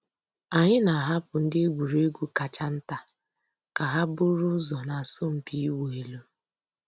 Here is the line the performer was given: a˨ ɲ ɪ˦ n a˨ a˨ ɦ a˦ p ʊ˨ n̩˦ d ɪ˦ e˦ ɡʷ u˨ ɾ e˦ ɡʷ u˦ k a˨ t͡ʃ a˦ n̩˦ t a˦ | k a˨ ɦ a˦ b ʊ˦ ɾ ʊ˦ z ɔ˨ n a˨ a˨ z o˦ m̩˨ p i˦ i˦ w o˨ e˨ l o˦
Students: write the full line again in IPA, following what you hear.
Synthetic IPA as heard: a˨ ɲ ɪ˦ n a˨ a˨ ɦ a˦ p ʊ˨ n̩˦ d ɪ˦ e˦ ɡʷ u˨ ɾ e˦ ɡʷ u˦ k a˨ t͡ʃ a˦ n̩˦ t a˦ | k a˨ ɦ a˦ b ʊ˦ ɾ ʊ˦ z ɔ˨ n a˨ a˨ s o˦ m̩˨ p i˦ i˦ w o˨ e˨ l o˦